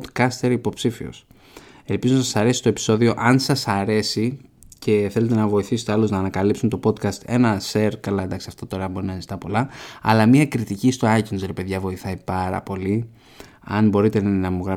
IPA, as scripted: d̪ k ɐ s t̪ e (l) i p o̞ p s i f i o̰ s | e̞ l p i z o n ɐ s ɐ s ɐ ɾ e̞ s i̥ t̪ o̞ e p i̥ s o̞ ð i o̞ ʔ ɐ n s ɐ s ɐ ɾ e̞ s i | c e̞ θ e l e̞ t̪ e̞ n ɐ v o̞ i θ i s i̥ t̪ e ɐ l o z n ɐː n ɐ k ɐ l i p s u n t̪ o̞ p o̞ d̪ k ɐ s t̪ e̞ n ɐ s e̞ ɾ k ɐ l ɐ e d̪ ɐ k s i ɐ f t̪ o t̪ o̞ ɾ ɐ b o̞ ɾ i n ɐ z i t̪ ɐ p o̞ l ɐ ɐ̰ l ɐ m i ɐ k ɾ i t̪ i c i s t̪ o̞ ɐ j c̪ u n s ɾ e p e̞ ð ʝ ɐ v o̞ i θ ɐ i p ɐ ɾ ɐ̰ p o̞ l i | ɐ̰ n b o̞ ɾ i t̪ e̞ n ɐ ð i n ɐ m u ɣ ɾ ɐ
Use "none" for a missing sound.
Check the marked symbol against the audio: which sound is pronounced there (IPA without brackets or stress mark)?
ɾ